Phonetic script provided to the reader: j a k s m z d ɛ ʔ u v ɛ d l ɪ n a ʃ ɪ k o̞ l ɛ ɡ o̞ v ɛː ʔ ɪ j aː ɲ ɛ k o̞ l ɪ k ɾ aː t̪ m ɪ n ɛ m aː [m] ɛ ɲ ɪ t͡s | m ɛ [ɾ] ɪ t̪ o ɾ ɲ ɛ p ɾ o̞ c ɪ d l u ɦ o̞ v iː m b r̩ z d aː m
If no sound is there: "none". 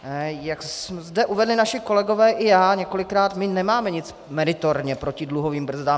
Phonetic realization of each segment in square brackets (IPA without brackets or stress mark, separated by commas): m, ɾ